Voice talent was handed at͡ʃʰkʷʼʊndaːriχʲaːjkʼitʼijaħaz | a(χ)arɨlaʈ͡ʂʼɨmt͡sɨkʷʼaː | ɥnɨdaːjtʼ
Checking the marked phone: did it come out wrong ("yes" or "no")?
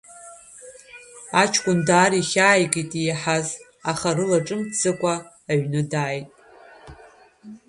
no